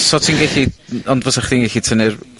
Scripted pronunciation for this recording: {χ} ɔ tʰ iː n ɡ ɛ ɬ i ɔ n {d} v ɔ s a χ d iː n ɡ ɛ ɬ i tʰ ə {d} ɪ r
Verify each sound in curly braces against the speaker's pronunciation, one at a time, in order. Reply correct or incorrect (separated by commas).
incorrect, correct, incorrect